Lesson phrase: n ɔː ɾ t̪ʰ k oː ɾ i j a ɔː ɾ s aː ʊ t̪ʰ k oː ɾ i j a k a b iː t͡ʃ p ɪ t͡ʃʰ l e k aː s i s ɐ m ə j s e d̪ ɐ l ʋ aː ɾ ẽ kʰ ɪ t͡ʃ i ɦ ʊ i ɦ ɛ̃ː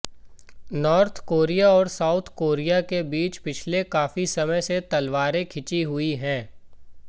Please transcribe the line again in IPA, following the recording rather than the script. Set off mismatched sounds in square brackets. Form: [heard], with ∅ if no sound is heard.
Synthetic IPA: n ɔː ɾ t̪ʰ k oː ɾ i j a ɔː ɾ s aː ʊ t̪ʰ k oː ɾ i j a k [e] b iː t͡ʃ p ɪ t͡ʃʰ l e k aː [f] i s ɐ m ə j s e [t̪] ɐ l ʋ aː ɾ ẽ kʰ ɪ t͡ʃ i ɦ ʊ i ɦ ɛ̃ː

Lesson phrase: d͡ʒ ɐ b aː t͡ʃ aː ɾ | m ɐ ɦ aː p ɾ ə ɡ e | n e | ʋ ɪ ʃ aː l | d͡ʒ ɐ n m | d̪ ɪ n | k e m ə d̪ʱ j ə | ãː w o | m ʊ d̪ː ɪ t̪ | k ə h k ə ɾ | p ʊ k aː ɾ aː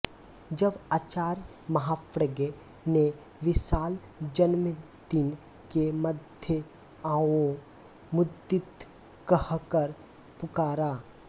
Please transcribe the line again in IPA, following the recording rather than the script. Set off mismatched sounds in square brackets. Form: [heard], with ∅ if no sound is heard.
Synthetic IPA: d͡ʒ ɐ b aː t͡ʃ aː ɾ | m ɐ ɦ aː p ɾ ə ɡ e | n e | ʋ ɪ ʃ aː l | d͡ʒ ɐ n m | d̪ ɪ n | k e m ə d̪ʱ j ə | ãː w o | m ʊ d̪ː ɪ t̪ | k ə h k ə ɾ | p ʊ k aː ɾ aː

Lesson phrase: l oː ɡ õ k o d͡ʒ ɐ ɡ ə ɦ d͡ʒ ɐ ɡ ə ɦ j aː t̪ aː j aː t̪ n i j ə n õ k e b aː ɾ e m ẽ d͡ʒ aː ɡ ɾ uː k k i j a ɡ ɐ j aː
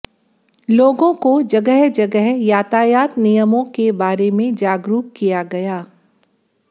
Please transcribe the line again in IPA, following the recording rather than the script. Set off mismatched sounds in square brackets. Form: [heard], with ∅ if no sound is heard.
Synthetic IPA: l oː ɡ õ k o d͡ʒ ɐ ɡ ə ɦ d͡ʒ ɐ ɡ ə ɦ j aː t̪ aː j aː t̪ n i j ə [m] õ k e b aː ɾ e m ẽ d͡ʒ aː ɡ ɾ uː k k i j a ɡ ɐ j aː

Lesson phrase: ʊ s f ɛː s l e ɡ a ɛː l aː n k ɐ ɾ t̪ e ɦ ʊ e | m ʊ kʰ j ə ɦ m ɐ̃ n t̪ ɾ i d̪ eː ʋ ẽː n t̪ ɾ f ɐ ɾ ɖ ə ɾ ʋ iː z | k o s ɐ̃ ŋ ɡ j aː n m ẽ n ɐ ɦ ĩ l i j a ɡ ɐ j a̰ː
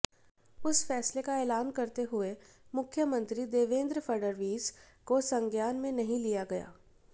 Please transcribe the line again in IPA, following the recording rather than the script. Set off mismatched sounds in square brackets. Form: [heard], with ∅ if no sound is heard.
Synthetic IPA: ʊ s f ɛː s l e [k] a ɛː l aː n k ɐ ɾ t̪ e ɦ ʊ e | m ʊ kʰ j ə [∅] m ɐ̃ n t̪ ɾ i d̪ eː ʋ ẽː n [d̪] ɾ f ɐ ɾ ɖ ə ɾ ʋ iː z | k o s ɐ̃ ŋ ɡ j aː n m ẽ n ɐ ɦ ĩ l i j a ɡ ɐ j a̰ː

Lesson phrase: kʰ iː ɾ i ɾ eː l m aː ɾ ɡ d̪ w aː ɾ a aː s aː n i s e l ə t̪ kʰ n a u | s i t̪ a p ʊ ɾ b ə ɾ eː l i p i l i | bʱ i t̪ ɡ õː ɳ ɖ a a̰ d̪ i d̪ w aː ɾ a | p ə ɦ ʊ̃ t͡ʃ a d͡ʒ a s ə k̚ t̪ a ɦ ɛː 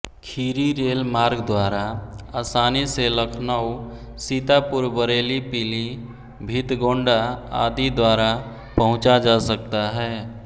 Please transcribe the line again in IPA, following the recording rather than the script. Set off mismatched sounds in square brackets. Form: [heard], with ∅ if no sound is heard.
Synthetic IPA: kʰ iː ɾ i ɾ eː l m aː ɾ ɡ d̪ w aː ɾ a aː s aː n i s e l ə [∅] kʰ n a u | s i t̪ a p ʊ ɾ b ə ɾ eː l i p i l i | bʱ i t̪ ɡ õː ɳ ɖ a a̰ d̪ i d̪ w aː ɾ a | p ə ɦ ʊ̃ t͡ʃ a d͡ʒ a s ə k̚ t̪ a ɦ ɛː

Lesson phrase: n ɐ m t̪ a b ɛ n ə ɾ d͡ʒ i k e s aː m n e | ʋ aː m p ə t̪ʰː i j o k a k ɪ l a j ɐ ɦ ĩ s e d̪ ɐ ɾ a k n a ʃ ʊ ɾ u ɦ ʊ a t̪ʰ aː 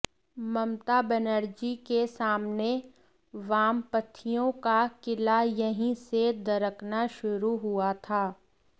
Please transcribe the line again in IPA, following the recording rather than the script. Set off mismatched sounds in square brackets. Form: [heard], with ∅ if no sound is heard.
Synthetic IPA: [m] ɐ m t̪ a b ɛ n ə ɾ d͡ʒ i k e s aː m n e | ʋ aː m p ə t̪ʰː i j [õ] k a k ɪ l a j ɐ ɦ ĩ s e d̪ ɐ ɾ [ə] k n a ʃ ʊ ɾ u ɦ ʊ a t̪ʰ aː

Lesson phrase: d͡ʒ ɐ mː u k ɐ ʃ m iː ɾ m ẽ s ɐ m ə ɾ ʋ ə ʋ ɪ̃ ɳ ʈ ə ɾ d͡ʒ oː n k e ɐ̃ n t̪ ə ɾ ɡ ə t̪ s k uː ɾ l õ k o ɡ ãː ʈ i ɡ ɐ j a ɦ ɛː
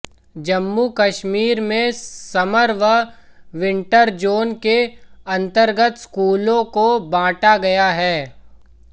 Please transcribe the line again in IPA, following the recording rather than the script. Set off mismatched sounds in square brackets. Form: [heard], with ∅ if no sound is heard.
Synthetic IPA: d͡ʒ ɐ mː u k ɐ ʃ m iː ɾ m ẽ s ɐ m ə ɾ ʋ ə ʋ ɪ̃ ɳ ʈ ə ɾ d͡ʒ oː n k e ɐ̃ n t̪ ə ɾ ɡ ə t̪ s k uː [∅] l õ k o [b] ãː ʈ [a] ɡ ɐ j a ɦ ɛː

